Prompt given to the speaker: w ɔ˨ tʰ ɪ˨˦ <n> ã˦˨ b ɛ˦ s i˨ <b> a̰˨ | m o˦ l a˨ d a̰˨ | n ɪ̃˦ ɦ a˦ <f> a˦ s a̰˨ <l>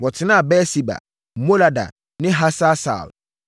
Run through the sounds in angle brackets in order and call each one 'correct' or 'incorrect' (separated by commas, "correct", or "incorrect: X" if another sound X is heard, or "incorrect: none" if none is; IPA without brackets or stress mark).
correct, correct, incorrect: s, correct